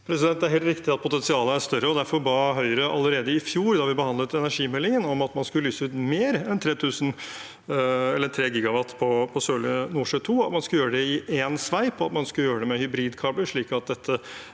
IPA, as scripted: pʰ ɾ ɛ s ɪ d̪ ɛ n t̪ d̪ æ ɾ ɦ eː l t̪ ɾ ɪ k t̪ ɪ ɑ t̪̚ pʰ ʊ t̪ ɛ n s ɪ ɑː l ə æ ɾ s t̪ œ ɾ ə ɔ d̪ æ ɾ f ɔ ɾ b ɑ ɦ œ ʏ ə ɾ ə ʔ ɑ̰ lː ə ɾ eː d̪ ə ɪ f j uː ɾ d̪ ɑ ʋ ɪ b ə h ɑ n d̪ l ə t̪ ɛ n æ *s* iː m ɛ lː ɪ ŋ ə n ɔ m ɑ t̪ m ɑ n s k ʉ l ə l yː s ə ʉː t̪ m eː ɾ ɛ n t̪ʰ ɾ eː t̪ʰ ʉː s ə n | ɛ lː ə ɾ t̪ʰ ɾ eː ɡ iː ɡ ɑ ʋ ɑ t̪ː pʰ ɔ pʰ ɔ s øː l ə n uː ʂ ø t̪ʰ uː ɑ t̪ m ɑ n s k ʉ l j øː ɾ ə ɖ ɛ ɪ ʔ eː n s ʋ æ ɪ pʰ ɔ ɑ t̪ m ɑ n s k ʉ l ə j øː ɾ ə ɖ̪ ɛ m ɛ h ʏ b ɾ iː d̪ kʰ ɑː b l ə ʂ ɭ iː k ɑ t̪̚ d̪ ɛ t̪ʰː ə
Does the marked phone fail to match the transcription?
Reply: yes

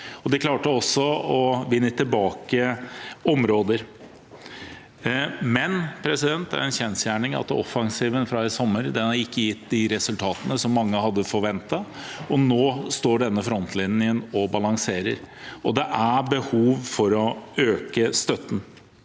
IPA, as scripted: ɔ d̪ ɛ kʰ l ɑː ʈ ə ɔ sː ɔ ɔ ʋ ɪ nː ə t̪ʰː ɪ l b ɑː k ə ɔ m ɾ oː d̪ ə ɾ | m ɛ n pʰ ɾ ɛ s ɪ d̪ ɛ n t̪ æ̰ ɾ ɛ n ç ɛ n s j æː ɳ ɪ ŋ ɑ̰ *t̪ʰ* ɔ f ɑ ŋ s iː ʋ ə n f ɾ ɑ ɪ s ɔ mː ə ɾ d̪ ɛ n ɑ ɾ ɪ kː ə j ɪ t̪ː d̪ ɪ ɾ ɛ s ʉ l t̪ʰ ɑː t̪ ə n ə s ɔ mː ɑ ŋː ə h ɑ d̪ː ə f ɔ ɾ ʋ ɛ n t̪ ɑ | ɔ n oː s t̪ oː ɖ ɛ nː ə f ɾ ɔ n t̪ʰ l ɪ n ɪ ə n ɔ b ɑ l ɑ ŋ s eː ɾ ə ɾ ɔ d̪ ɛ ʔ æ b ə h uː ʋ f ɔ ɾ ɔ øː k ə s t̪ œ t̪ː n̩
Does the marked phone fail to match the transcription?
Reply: yes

